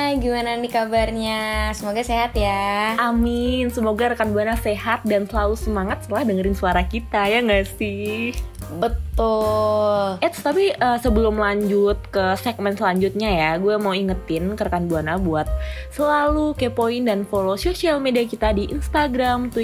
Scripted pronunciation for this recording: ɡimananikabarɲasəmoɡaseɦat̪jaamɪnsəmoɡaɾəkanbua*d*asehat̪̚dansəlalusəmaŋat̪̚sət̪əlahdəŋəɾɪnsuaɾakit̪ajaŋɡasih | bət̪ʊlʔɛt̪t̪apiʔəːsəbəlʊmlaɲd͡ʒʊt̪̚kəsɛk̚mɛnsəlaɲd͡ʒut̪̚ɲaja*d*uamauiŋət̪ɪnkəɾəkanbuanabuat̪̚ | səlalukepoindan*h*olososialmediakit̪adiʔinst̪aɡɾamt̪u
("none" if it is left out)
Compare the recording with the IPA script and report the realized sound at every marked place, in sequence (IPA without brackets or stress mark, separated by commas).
n, ɡ, f